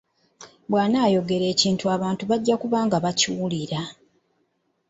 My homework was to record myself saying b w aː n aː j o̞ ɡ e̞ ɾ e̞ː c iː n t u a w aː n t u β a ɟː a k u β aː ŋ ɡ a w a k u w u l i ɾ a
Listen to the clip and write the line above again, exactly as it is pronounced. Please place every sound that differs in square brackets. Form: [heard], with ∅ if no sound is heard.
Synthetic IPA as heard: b w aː n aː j o̞ ɡ e̞ ɾ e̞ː c iː n t u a [β] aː n t u β a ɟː a k u β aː ŋ ɡ a [β] a [c] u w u l i ɾ a